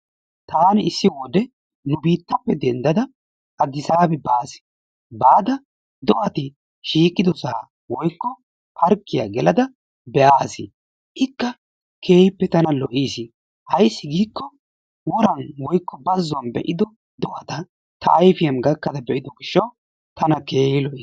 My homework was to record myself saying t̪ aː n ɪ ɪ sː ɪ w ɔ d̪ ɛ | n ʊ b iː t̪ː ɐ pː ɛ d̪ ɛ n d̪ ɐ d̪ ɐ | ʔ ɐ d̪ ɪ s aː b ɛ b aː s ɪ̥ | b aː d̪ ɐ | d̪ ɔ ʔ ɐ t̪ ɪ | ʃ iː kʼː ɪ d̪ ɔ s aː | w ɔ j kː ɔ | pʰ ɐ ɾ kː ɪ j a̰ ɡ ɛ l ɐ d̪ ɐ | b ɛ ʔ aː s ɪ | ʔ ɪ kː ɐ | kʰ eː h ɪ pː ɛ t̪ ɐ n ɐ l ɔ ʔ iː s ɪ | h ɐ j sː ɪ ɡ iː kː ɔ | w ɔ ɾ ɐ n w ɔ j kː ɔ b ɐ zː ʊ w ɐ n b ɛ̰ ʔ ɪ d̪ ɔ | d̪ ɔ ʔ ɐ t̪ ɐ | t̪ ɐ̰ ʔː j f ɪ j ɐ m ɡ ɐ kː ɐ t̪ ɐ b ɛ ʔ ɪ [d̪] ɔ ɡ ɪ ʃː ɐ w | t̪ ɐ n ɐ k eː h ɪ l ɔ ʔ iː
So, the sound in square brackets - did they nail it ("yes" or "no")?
yes